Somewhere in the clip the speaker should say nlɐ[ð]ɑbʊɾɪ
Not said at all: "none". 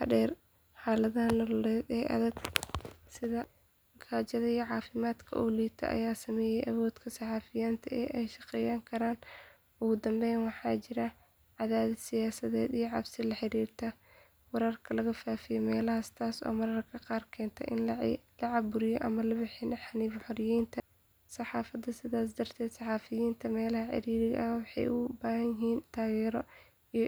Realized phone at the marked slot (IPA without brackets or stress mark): ʕ